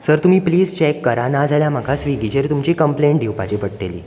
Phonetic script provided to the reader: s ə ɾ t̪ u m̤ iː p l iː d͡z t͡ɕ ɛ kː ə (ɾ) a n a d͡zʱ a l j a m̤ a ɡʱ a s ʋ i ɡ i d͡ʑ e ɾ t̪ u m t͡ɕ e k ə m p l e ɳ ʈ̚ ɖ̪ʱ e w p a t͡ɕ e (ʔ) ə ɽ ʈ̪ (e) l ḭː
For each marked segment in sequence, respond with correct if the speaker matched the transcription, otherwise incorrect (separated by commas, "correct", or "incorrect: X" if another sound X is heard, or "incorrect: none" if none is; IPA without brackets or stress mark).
correct, incorrect: p, correct